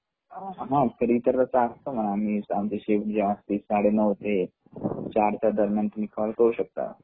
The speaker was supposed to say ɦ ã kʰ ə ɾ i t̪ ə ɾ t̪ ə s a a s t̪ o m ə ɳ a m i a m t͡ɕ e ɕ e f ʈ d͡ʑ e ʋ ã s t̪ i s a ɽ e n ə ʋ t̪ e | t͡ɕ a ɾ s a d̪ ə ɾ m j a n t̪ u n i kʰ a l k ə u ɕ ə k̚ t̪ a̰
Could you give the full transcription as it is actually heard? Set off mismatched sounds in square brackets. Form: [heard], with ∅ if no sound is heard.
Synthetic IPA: ɦ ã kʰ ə ɾ i t̪ ə ɾ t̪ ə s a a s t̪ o m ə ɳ a m i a m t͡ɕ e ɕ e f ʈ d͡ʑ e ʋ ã s t̪ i s a ɽ e n ə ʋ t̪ e | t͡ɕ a ɾ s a d̪ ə ɾ m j a n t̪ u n i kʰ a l k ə u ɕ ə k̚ t̪ a̰